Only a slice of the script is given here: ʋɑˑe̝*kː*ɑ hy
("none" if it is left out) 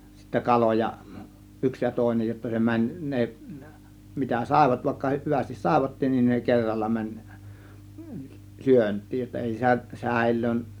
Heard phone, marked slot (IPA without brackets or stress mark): kː